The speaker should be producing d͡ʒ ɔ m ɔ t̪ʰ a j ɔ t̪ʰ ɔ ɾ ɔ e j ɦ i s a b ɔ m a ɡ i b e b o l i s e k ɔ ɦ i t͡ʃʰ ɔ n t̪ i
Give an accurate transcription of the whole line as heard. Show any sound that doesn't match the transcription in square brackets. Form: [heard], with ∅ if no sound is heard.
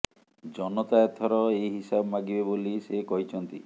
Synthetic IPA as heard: d͡ʒ ɔ [n] ɔ [t̪] a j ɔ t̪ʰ ɔ ɾ ɔ e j ɦ i s a b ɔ m a ɡ i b e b o l i s e k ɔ ɦ i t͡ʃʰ ɔ n t̪ i